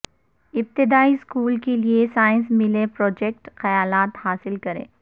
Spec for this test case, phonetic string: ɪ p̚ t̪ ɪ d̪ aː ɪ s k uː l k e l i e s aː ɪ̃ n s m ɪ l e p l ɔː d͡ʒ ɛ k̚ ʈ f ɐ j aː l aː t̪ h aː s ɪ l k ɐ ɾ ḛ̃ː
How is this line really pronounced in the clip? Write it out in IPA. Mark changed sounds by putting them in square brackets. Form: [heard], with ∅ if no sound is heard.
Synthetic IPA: ɪ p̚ t̪ ɪ d̪ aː [i] s k uː l k e l i e s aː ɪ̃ n s m ɪ l e p [ɾ] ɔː d͡ʒ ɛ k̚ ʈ [x] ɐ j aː l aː t̪ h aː s ɪ l k ɐ ɾ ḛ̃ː